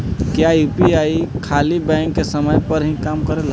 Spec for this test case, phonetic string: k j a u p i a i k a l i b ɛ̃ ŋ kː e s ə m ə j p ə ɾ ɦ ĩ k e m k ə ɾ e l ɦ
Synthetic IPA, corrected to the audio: k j a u p i a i kʰ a l i b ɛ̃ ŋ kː e s ə m ə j p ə ɾ ɦ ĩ k a m k ə ɾ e l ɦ